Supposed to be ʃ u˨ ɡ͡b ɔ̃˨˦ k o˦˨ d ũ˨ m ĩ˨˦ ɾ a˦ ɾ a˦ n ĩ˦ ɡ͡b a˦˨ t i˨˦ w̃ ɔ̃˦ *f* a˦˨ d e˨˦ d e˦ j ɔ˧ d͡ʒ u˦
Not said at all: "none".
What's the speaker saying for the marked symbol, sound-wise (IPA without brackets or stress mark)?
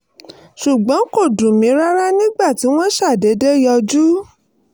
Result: ʃ